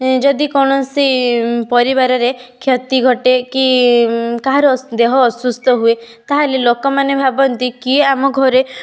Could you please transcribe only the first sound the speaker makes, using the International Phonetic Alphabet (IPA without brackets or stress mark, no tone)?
d͡ʒ